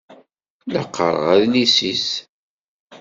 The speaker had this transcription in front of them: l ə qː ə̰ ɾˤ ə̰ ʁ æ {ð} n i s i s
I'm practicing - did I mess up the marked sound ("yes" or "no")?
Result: no